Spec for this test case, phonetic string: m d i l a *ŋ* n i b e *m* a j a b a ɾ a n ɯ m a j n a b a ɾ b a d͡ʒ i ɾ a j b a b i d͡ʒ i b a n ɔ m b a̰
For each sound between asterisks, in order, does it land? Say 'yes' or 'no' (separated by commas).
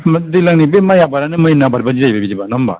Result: yes, yes